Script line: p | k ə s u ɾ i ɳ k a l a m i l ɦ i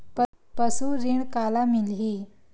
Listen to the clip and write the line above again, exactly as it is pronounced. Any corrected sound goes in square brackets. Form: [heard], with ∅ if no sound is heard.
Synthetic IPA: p | [p] ə s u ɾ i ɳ k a l a m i l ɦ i